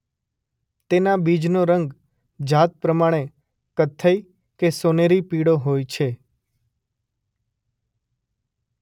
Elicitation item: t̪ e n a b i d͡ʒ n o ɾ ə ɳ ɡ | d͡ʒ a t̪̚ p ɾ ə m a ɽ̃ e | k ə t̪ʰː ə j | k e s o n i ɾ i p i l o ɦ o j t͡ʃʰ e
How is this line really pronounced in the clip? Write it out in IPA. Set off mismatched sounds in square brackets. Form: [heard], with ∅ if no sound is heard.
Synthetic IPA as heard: t̪ e n a b i d͡ʒ n o ɾ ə [ŋ] ɡ | d͡ʒ a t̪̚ p ɾ ə m a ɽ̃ e | k ə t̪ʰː ə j | k e s o n [e] ɾ i p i [ɽ] o ɦ o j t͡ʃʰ e

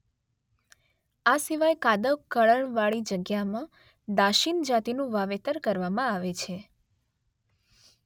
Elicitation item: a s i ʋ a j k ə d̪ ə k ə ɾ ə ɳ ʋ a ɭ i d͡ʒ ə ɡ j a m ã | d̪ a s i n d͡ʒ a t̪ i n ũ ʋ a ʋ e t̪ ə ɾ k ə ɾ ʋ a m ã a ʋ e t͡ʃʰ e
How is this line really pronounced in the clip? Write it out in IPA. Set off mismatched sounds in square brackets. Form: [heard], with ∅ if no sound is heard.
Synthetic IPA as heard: a s i ʋ a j k [a] d̪ ə k ə [ɭ] ə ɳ ʋ a ɭ i d͡ʒ ə ɡ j a m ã | d̪ a [ʃ] i n d͡ʒ a t̪ i n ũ ʋ a ʋ e t̪ ə ɾ k ə ɾ ʋ a m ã a ʋ e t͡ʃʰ e

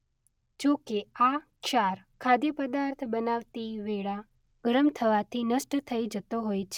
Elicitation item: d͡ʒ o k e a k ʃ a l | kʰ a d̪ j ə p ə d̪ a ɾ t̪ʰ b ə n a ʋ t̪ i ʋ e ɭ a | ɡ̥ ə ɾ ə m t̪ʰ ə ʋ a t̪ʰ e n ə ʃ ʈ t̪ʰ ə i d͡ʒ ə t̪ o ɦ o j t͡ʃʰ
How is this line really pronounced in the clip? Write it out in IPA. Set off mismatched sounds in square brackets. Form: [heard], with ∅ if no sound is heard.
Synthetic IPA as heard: d͡ʒ o k e a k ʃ a [ɾ] | kʰ a d̪ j ə p ə d̪ a ɾ t̪ʰ b ə n a ʋ t̪ i ʋ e ɭ a | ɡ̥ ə ɾ ə m t̪ʰ ə ʋ a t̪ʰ [i] n ə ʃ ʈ t̪ʰ ə i d͡ʒ ə t̪ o ɦ o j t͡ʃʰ

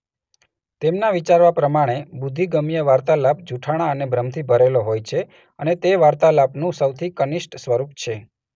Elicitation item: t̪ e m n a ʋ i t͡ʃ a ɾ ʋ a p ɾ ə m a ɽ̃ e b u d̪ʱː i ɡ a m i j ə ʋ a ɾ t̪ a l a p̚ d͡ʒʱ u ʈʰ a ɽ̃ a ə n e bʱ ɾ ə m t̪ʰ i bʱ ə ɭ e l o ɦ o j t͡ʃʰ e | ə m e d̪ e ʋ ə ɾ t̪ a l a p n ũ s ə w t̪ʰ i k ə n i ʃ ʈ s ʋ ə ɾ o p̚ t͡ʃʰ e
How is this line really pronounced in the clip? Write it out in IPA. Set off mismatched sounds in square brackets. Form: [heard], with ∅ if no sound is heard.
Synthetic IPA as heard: t̪ e m n a ʋ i t͡ʃ a ɾ ʋ a p ɾ ə m a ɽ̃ e b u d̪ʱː i ɡ [ə] m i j ə ʋ a ɾ t̪ a l a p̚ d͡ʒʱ u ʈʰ a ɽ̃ a ə n e bʱ ɾ ə m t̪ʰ i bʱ ə [ɾ] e l o ɦ o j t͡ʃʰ e | ə [n] e [t̪] e ʋ [a] ɾ t̪ a l a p n ũ s ə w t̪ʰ i k ə n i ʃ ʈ s ʋ ə ɾ [u] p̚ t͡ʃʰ e

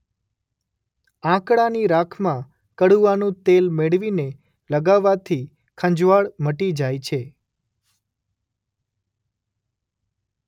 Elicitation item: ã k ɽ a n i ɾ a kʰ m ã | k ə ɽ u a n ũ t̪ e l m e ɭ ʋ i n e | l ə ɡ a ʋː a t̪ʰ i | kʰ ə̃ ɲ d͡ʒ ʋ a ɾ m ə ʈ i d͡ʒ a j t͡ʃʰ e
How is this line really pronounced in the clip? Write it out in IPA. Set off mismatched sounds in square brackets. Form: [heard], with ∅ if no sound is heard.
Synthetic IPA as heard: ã k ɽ a n i ɾ a kʰ m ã | k ə ɽ u a n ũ t̪ e l m e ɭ ʋ i n e | l ə ɡ a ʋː a t̪ʰ i | kʰ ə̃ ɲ d͡ʒ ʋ a [ɭ] m ə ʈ i d͡ʒ a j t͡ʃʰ e

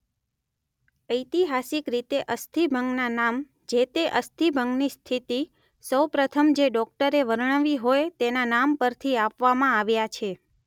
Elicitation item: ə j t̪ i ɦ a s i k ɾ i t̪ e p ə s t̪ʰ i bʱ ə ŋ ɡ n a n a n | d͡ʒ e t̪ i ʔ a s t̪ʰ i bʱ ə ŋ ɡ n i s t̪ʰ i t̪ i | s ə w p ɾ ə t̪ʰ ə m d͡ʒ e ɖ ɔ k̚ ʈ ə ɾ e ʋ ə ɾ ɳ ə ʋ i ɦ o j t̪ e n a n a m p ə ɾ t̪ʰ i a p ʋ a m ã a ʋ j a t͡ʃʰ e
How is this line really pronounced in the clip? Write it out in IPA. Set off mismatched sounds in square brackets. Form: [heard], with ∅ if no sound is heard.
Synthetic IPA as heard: ə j t̪ i ɦ a s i k ɾ i t̪ e [ʔ] ə s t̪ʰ i bʱ ə ŋ ɡ n a n a [m] | d͡ʒ e t̪ [e] ʔ [ə] s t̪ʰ i bʱ ə ŋ ɡ n i s t̪ʰ i t̪ i | s ə w p ɾ ə t̪ʰ ə m d͡ʒ e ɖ ɔ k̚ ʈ ə ɾ e ʋ ə ɾ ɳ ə ʋ i ɦ o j t̪ e n a n a m p ə ɾ t̪ʰ i a p ʋ a m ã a ʋ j a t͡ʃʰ e

